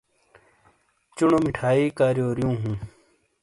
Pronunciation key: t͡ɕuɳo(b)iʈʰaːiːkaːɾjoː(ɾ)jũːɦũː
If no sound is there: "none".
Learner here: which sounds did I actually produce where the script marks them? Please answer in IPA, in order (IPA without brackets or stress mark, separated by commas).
m, ɾ